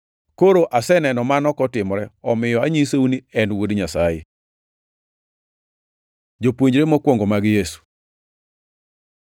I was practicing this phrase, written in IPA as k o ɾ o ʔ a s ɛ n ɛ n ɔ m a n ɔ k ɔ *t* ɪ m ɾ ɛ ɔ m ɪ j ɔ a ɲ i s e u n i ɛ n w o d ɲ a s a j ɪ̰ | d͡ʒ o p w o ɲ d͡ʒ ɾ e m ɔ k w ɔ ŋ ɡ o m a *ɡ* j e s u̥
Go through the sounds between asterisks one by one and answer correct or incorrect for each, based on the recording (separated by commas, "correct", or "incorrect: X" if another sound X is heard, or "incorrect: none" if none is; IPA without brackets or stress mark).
correct, correct